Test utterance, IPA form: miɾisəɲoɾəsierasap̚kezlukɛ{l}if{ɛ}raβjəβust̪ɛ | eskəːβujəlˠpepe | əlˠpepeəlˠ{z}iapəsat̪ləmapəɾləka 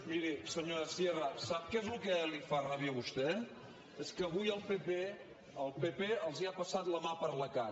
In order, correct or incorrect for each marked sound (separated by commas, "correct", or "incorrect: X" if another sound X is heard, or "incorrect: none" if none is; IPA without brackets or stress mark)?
correct, incorrect: a, correct